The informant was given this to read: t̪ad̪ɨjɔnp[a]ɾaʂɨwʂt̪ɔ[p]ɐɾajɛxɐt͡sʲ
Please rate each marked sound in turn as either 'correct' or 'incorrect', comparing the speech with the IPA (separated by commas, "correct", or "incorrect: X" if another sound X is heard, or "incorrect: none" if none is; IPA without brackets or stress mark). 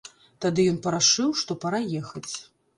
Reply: incorrect: ɐ, correct